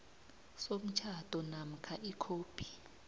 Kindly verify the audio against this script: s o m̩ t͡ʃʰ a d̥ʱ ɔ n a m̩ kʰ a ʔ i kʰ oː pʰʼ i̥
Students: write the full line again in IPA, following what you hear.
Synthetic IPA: s o m̩ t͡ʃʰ a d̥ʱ ɔ n a m̩ kʰ a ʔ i kʰ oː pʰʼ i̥